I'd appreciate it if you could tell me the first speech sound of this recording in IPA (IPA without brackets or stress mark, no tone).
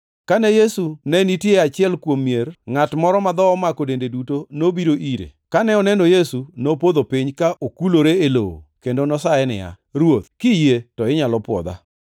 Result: k